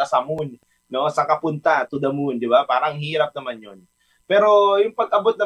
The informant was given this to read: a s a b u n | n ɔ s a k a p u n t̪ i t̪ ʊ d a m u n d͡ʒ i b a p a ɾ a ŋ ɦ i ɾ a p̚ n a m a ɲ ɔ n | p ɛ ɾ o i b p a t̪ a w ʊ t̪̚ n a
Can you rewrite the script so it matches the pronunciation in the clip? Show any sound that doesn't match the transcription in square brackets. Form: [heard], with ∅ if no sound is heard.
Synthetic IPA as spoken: a s a [m] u n | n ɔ s a k a p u n t̪ [a] t̪ [u] d a m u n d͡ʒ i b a p a ɾ a ŋ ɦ i ɾ a p̚ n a m a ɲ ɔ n | p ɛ ɾ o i [m] p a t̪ a [b] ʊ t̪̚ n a